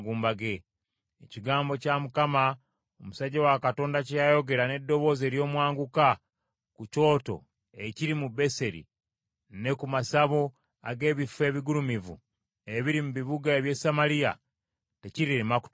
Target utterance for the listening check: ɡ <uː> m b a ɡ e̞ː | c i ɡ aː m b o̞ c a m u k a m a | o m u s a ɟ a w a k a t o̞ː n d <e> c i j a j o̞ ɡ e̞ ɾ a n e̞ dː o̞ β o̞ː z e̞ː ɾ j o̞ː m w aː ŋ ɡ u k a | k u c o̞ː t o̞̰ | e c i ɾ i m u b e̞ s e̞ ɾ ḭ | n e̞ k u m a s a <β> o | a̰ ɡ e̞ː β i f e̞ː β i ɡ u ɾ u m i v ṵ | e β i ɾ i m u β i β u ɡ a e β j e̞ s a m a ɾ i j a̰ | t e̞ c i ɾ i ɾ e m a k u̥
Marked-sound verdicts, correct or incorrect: correct, incorrect: a, correct

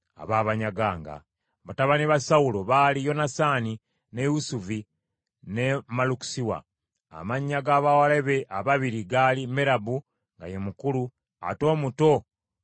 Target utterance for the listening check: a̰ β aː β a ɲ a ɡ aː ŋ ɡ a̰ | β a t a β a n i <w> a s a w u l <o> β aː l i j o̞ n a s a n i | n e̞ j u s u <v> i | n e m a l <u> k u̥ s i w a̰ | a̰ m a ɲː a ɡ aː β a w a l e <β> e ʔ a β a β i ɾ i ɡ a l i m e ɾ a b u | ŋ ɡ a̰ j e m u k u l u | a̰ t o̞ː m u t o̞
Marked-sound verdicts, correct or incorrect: incorrect: β, correct, correct, correct, correct

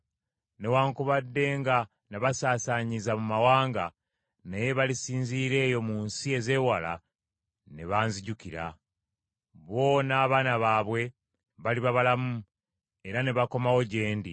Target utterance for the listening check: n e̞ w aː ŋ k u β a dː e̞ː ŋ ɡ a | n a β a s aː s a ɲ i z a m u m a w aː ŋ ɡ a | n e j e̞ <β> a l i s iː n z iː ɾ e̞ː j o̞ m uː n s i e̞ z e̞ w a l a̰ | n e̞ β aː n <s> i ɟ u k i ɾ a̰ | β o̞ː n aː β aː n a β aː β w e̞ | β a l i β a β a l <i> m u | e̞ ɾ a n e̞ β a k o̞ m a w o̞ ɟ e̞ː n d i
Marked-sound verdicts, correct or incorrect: correct, incorrect: z, incorrect: a

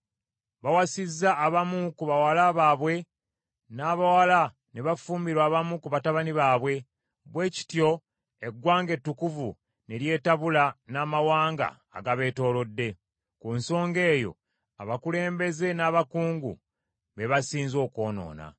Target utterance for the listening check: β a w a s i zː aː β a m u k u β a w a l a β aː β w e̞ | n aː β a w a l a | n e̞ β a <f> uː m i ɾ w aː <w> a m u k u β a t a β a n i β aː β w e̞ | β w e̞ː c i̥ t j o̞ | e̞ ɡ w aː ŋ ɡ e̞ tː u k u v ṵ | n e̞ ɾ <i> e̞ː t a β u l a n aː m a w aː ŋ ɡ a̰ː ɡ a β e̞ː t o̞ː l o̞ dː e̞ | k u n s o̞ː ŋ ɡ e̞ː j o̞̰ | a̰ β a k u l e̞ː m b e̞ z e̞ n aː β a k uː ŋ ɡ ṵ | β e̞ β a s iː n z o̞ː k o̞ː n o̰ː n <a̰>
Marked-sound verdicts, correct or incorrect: correct, incorrect: β, incorrect: j, correct

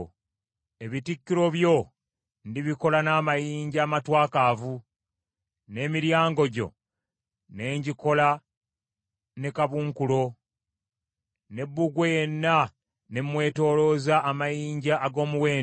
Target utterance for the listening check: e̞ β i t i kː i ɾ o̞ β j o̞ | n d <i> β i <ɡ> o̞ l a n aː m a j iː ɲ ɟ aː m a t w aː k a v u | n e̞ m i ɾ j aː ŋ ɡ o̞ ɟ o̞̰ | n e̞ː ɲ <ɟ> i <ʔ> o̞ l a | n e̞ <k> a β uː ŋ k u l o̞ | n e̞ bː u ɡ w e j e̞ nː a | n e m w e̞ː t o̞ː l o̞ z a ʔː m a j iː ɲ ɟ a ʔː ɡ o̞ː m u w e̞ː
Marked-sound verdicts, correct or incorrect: correct, incorrect: k, correct, incorrect: k, correct

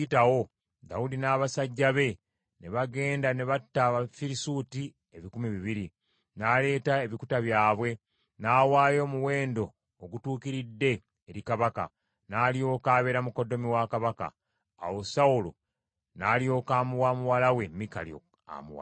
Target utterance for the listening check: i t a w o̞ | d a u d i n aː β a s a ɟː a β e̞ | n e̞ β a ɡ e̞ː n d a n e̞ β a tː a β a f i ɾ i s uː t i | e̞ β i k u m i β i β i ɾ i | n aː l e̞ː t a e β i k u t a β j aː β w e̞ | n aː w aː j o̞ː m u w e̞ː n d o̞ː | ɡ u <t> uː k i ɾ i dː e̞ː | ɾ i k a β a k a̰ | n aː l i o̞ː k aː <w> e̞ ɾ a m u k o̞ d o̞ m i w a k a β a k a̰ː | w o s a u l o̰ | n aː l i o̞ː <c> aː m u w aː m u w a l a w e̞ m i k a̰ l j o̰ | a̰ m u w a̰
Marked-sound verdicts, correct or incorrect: correct, incorrect: β, incorrect: k

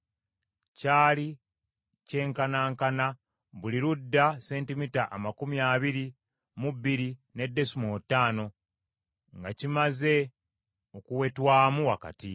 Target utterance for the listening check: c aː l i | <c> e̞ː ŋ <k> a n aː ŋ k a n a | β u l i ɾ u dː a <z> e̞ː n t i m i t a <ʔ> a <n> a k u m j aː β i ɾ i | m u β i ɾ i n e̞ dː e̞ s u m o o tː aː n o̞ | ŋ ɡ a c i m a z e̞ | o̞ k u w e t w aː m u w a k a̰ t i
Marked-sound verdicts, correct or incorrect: correct, correct, incorrect: s, correct, incorrect: m

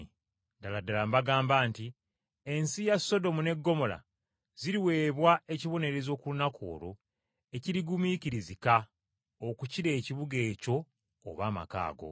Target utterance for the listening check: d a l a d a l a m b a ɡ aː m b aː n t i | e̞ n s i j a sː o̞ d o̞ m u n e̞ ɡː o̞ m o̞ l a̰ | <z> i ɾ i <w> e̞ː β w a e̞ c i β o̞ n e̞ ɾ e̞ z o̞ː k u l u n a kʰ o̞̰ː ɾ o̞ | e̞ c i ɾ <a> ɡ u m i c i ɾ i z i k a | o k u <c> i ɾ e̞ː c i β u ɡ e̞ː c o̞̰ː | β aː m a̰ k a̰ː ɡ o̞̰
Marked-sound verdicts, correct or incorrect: correct, correct, incorrect: i, correct

